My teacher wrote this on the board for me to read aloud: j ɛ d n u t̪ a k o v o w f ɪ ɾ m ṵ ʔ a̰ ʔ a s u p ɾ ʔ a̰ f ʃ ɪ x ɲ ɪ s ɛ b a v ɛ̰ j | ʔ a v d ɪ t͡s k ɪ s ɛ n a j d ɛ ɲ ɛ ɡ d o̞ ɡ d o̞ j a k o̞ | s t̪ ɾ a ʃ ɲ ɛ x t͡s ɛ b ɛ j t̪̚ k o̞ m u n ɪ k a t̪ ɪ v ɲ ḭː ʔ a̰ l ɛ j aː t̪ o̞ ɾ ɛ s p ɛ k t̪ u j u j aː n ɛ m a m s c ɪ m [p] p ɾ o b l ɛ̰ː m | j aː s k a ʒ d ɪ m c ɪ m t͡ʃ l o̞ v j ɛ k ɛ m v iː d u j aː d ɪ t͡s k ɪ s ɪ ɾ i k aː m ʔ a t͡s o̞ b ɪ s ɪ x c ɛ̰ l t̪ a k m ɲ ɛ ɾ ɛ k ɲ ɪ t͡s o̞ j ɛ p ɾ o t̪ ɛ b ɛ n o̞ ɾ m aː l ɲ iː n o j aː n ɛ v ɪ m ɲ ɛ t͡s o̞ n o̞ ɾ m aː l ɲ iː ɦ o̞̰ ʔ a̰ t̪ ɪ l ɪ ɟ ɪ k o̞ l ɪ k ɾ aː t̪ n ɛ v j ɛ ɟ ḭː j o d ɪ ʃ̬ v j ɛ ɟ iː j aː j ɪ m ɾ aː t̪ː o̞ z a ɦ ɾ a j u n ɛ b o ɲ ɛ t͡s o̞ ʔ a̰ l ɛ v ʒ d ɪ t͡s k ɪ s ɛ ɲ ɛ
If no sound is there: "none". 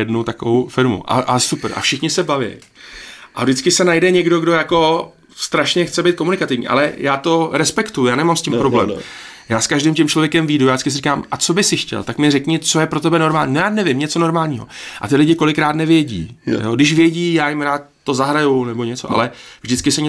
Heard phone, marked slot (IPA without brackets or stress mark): p